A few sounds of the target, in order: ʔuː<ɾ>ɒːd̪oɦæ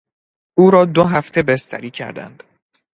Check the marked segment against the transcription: correct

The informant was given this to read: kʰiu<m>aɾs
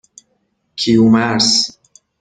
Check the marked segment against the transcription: correct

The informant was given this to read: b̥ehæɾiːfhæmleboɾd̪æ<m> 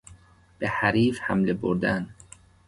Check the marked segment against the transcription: incorrect: n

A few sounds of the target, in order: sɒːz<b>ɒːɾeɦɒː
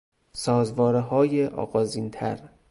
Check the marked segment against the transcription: incorrect: v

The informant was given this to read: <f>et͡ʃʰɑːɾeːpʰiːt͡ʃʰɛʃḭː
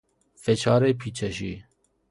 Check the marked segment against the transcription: correct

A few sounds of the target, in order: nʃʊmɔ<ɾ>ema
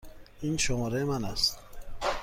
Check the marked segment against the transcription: correct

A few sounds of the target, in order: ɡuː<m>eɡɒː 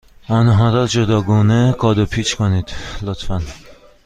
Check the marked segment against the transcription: incorrect: n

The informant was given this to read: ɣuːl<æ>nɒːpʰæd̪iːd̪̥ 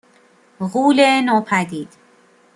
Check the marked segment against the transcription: incorrect: e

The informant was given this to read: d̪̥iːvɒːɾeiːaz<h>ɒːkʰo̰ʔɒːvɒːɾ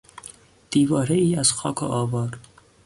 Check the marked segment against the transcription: incorrect: x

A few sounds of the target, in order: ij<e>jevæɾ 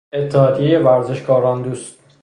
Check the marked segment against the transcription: correct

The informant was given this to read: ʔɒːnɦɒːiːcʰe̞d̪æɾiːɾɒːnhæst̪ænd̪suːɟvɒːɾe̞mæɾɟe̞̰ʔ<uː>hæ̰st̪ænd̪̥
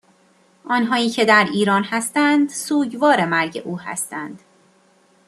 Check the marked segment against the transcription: correct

